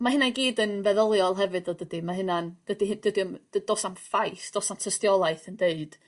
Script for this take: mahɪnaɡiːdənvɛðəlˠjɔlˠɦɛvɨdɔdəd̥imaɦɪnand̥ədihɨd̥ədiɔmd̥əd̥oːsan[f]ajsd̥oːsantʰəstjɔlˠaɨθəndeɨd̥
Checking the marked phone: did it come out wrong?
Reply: no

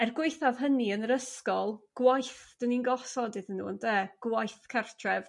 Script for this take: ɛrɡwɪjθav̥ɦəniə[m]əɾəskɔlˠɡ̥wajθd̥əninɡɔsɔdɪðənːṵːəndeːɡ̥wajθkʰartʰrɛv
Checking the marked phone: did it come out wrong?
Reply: yes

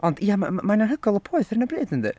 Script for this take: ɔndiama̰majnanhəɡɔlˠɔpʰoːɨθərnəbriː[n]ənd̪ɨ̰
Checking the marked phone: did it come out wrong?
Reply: yes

